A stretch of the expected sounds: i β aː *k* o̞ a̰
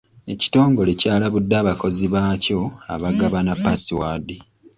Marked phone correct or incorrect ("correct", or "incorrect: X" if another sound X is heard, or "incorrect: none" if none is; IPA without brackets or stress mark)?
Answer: incorrect: c